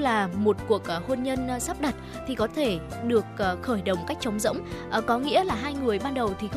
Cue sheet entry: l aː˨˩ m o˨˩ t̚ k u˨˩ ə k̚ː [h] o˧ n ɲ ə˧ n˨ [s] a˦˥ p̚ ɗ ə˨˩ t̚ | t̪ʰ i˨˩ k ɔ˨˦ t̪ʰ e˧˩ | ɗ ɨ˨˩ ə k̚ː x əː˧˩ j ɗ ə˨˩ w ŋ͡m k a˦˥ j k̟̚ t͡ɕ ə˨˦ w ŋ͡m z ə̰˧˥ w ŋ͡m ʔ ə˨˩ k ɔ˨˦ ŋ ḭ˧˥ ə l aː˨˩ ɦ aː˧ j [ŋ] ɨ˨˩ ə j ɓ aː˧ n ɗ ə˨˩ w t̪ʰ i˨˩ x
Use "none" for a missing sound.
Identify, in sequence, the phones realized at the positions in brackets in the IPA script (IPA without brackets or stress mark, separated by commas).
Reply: h, s, ŋ